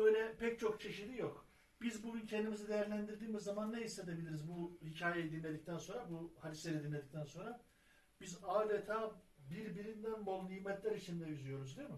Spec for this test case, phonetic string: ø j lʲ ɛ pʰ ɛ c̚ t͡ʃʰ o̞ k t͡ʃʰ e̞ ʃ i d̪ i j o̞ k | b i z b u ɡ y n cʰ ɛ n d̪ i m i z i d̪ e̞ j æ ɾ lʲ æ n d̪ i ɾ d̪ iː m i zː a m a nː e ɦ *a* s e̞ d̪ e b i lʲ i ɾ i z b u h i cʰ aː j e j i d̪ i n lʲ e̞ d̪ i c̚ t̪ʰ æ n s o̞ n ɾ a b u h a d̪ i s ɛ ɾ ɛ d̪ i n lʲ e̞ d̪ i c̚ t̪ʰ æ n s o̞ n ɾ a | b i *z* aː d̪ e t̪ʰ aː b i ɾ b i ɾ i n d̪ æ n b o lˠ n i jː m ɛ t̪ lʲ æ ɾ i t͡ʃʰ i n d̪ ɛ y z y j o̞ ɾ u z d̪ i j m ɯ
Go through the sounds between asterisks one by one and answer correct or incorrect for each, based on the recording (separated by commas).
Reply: incorrect, correct